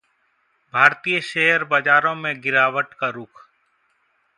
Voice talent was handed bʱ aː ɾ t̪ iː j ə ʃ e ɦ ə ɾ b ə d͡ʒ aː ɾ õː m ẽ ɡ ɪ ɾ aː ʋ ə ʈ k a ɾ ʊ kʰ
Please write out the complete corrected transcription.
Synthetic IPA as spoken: bʱ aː ɾ t̪ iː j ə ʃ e ɦ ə ɾ b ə d͡ʒ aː ɾ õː m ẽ ɡ ɪ ɾ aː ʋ ə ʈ k a ɾ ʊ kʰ